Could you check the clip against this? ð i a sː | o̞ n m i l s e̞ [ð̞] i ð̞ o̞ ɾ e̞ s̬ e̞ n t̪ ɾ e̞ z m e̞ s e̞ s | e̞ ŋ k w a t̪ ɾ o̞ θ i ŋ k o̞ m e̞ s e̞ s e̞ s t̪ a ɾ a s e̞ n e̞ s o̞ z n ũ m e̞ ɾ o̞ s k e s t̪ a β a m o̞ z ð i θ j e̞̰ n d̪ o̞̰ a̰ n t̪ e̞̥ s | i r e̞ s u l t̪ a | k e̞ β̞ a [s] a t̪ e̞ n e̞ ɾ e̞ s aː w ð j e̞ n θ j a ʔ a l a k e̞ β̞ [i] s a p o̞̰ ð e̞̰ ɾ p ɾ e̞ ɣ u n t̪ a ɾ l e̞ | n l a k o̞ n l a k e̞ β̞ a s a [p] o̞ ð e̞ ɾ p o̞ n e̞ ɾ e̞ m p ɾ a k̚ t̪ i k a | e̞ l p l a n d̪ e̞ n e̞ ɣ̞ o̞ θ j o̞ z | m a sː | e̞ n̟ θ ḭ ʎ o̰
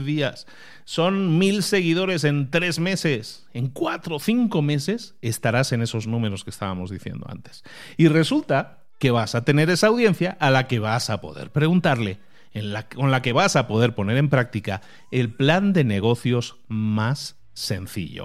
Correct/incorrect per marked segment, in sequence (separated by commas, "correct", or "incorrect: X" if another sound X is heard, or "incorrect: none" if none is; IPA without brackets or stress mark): incorrect: ɣ̞, correct, incorrect: a, correct